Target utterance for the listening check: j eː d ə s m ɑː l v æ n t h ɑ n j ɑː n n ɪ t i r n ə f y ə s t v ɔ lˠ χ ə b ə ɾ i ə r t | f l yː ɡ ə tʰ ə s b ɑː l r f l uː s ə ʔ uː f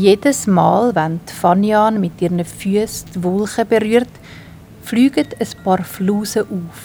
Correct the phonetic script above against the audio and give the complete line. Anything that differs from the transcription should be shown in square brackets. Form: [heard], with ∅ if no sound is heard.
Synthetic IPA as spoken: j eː d ə s m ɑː l v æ n t [f] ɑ n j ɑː n [m] ɪ t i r n ə f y ə s t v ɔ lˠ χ ə b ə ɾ [y] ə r t | f l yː ɡ ə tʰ ə s [p] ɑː [∅] r f l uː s ə ʔ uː f